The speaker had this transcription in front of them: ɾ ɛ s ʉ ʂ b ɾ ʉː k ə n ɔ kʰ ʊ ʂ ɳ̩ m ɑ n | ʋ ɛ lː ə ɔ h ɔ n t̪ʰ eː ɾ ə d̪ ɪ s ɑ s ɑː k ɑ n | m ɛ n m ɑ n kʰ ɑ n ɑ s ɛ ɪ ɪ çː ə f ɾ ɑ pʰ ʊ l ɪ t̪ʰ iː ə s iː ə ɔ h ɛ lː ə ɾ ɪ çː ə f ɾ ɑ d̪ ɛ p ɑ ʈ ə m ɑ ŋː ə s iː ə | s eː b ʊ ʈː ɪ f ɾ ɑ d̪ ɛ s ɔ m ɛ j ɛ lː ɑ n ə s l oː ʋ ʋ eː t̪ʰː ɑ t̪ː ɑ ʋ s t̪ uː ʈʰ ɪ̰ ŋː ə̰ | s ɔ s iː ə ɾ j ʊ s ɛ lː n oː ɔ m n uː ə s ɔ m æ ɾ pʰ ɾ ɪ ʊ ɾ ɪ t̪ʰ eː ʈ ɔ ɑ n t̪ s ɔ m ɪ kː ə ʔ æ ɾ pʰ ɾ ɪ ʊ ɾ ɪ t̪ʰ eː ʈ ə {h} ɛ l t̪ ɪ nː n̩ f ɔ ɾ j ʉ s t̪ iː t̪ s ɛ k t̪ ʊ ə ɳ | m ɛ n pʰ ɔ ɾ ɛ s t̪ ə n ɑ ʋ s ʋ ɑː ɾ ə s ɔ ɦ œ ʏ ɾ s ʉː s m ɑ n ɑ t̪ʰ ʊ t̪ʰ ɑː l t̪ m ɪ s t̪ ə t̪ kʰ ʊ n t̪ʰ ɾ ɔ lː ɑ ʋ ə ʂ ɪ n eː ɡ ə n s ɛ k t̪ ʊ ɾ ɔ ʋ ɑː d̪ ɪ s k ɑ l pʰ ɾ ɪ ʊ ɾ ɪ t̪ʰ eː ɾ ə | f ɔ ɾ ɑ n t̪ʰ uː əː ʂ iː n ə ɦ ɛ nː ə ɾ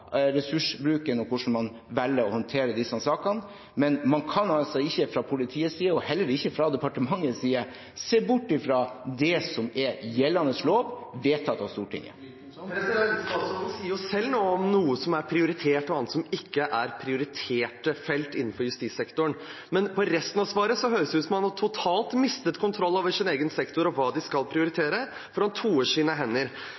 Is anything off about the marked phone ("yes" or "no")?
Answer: yes